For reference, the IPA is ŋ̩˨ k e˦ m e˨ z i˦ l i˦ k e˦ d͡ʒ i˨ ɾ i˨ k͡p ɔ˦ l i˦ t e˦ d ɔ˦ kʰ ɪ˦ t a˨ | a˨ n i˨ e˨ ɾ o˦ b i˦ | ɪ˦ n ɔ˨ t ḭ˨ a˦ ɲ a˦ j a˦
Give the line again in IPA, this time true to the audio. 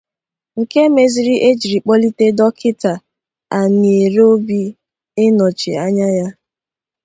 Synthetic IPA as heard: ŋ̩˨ k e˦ m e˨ z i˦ ɾ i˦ ʔ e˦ d͡ʒ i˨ ɾ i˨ k͡p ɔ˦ l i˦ t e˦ d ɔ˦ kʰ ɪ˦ t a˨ | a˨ n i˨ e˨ ɾ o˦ b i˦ | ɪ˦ n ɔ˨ t͡ʃ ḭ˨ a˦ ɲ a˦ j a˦